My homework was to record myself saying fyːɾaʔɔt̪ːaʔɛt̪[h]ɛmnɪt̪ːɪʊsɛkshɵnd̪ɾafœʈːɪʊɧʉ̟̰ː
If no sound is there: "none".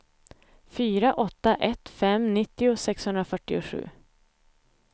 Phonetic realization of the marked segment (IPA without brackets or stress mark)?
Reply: f